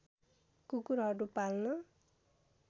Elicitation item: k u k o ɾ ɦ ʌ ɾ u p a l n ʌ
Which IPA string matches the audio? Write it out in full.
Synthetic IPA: k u k u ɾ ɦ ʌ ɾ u p a l n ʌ